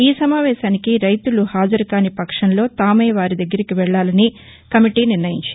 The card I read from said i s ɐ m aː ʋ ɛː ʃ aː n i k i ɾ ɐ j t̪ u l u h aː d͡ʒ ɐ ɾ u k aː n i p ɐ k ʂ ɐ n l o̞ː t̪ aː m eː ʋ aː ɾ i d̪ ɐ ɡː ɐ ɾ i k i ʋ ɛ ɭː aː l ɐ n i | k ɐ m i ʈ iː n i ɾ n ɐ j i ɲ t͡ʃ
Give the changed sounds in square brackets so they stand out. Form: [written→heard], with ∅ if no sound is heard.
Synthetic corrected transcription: [i→iː] s ɐ m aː ʋ ɛː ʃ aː n i k i ɾ ɐ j t̪ u l u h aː d͡ʒ ɐ ɾ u k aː n i p ɐ k ʂ ɐ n l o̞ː t̪ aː m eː ʋ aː ɾ i d̪ ɐ ɡː ɐ ɾ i k i ʋ ɛ ɭː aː l ɐ n i | k ɐ m i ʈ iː n i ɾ n ɐ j i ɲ t͡ʃ

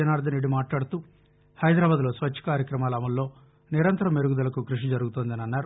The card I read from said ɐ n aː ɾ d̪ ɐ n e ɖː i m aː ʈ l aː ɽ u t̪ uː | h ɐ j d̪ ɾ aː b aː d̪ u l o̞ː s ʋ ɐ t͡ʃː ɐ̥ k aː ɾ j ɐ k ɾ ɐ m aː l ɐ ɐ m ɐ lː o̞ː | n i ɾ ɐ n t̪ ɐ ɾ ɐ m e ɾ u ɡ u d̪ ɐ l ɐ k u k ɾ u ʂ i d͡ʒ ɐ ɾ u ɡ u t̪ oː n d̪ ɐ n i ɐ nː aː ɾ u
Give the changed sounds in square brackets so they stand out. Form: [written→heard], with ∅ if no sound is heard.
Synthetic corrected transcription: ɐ n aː ɾ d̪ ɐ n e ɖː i m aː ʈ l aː ɽ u t̪ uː | h ɐ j d̪ ɾ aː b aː d̪ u l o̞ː s ʋ ɐ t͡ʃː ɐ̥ k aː ɾ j ɐ k ɾ ɐ m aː l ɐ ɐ m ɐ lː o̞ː | n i ɾ ɐ n t̪ ɐ ɾ ɐ m e ɾ u ɡ u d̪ ɐ l ɐ k u k ɾ u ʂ i d͡ʒ ɐ ɾ u ɡ u t̪ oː n d̪ ɐ n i ɐ nː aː ɾ u

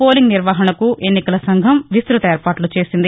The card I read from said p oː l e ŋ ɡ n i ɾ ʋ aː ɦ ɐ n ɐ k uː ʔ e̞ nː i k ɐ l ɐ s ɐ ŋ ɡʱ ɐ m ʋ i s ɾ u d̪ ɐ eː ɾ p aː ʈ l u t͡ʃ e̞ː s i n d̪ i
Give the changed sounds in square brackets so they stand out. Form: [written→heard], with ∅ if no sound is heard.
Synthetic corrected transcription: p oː l [e→i] ŋ ɡ n i ɾ ʋ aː ɦ ɐ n ɐ k [uː→u] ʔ e̞ nː i k ɐ l ɐ s ɐ ŋ ɡʱ ɐ m ʋ i s ɾ u [d̪→t̪] ɐ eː ɾ p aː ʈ l u t͡ʃ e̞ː s i n d̪ i

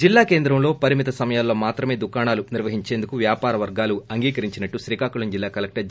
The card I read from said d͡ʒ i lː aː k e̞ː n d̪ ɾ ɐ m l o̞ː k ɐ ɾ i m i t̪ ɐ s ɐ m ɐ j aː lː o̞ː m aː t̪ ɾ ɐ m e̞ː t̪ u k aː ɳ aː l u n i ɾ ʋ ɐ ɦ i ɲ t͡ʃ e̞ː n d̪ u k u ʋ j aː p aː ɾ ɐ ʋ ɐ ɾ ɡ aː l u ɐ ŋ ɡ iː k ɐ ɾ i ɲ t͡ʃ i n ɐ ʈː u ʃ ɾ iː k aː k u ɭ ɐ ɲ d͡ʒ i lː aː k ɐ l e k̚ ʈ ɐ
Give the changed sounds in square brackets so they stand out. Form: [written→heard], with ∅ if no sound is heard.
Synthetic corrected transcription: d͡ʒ i lː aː k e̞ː n d̪ ɾ ɐ m l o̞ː [k→p] ɐ ɾ i m i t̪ ɐ s ɐ m ɐ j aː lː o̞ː m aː t̪ ɾ ɐ m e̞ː [t̪→d̪] u k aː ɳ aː l u n i ɾ ʋ ɐ ɦ i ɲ t͡ʃ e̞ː n d̪ u k u ʋ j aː p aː ɾ ɐ ʋ ɐ ɾ ɡ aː l u ɐ ŋ ɡ iː k ɐ ɾ i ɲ t͡ʃ i n ɐ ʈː u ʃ ɾ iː k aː k u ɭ ɐ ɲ d͡ʒ i lː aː k ɐ l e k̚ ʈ ɐ

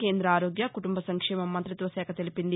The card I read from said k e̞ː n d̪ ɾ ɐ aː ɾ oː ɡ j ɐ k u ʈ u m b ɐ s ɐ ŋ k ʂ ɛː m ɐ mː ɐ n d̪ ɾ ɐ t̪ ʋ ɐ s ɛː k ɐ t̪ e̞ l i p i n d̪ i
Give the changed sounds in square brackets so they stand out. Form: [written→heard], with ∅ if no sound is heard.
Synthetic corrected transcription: k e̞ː n d̪ ɾ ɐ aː ɾ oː ɡ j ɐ k u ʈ u m b ɐ s ɐ ŋ k ʂ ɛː m ɐ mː ɐ n [d̪→t̪] ɾ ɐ t̪ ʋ ɐ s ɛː k ɐ t̪ e̞ l i p i n d̪ i

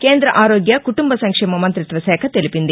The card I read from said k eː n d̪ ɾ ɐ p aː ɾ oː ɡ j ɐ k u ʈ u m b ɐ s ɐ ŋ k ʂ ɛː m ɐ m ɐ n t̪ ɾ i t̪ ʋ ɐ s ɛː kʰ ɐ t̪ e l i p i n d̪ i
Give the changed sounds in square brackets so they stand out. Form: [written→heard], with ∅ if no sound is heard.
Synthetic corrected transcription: k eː n d̪ ɾ ɐ [p→ʔ] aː ɾ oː ɡ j ɐ k u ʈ u m b ɐ s ɐ ŋ k ʂ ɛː m ɐ m ɐ n t̪ ɾ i t̪ ʋ ɐ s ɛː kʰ ɐ t̪ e l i p i n d̪ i

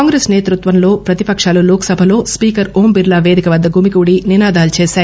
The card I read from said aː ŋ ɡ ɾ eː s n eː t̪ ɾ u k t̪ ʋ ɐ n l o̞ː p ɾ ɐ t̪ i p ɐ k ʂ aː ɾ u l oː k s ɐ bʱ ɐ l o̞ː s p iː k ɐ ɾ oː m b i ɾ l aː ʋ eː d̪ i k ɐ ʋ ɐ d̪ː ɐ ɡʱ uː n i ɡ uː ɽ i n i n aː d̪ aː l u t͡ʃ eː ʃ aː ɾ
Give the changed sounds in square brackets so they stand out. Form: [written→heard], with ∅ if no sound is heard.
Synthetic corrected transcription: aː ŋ ɡ ɾ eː s n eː t̪ ɾ u [k→∅] t̪ ʋ ɐ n l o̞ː p ɾ ɐ t̪ i p ɐ k ʂ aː [ɾ→l] u l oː k s ɐ bʱ ɐ l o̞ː s p iː k ɐ ɾ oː m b i ɾ l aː ʋ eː d̪ i k ɐ ʋ ɐ d̪ː ɐ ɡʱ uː [n→m] i [ɡ→k] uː ɽ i n i n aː d̪ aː l u t͡ʃ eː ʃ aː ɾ

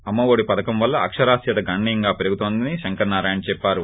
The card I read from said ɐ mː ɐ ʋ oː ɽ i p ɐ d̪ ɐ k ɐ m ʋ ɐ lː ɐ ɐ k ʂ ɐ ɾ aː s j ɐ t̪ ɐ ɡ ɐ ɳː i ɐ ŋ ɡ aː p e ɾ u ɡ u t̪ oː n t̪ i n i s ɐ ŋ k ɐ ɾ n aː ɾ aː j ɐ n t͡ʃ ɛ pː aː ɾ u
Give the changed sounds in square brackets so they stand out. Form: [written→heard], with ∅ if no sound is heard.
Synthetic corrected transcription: ɐ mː ɐ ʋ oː ɽ i p ɐ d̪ ɐ k ɐ m ʋ ɐ lː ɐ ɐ k ʂ ɐ ɾ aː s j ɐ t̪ ɐ ɡ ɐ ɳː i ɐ ŋ ɡ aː p e ɾ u ɡ u t̪ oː n [t̪→d̪] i n i [s→ʃ] ɐ ŋ k ɐ ɾ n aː ɾ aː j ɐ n t͡ʃ ɛ pː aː ɾ u

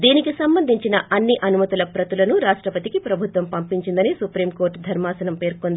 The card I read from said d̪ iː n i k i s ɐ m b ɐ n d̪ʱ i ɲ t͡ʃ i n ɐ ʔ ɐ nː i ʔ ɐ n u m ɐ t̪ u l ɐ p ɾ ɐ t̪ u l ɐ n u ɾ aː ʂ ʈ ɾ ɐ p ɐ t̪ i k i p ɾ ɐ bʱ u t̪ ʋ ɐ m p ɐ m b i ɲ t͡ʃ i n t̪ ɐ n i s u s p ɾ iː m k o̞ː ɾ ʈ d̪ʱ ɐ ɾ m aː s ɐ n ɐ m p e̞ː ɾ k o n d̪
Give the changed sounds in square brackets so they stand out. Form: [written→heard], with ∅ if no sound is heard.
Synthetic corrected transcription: d̪ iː n i k i s ɐ m b ɐ n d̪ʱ i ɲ t͡ʃ i n ɐ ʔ ɐ nː i ʔ ɐ n u m ɐ t̪ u l ɐ p ɾ ɐ t̪ u l ɐ n u ɾ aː ʂ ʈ ɾ ɐ p ɐ t̪ i k i p ɾ ɐ bʱ u t̪ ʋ ɐ m p ɐ m [b→p] i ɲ t͡ʃ i n [t̪→d̪] ɐ n i s u [s→∅] p ɾ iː m k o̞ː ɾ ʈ d̪ʱ ɐ ɾ m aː s ɐ n ɐ m p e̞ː ɾ k o n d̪

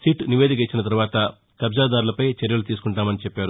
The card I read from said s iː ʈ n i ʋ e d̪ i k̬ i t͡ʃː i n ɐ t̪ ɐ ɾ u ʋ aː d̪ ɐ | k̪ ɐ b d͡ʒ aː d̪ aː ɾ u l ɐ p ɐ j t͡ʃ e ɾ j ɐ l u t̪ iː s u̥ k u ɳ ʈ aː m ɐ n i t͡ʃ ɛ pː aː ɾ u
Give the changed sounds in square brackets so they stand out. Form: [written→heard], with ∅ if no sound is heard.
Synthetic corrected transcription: s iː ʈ n i ʋ e d̪ i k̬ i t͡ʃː i n ɐ t̪ ɐ ɾ u ʋ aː [d̪→t̪] ɐ | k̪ ɐ b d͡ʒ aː d̪ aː ɾ u l ɐ p ɐ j t͡ʃ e ɾ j ɐ l u t̪ iː s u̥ k u ɳ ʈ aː m ɐ n i t͡ʃ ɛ pː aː ɾ u

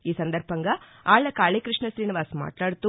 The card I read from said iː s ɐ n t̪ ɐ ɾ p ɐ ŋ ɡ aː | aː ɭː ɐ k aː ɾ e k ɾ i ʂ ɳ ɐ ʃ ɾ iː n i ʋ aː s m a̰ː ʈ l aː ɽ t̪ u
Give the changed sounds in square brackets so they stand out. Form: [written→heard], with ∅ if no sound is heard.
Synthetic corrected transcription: iː s ɐ n [t̪→d̪] ɐ ɾ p ɐ ŋ ɡ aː | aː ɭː ɐ k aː [ɾ→ɭ] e k ɾ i ʂ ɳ ɐ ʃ ɾ iː n i ʋ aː s m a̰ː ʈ l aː ɽ t̪ u

